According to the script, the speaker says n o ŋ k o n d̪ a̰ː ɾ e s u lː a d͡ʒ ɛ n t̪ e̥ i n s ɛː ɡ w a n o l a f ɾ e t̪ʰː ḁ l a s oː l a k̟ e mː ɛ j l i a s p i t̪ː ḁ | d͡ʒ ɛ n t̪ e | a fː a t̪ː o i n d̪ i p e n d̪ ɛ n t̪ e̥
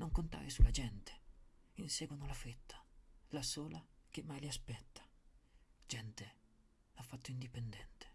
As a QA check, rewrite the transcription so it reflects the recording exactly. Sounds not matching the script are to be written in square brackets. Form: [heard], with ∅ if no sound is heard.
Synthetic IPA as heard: n o ŋ k o n [t̪] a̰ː ɾ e s u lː a d͡ʒ ɛ n t̪ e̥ i n s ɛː ɡ w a n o l a f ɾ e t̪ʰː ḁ l a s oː l a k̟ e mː [a] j l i a s p [ɛ] t̪ː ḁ | d͡ʒ ɛ n t̪ e | a fː a t̪ː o i n d̪ i p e n d̪ ɛ n t̪ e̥